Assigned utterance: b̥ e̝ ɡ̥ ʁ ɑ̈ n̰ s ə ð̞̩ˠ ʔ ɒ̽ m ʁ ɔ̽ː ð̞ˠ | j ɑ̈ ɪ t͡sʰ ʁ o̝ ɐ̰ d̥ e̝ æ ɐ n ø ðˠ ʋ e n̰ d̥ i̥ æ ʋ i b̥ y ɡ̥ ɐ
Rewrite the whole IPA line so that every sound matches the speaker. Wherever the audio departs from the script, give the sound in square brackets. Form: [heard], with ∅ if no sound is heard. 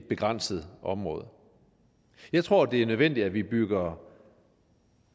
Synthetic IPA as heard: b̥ e̝ ɡ̥ ʁ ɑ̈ n̰ s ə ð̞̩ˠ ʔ ɒ̽ m ʁ ɔ̽ː ð̞ˠ | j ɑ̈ ɪ t͡sʰ ʁ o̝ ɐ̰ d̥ e̝ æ ɐ n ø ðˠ ʋ e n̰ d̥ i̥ æ ʋ i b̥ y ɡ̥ ɐ